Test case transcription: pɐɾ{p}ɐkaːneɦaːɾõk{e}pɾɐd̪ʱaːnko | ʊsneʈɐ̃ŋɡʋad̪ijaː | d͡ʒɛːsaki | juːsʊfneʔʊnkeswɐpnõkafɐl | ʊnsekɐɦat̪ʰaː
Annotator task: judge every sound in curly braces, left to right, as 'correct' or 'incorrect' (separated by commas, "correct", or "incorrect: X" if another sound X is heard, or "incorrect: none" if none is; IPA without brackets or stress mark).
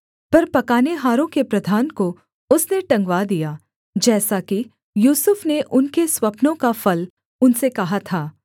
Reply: correct, correct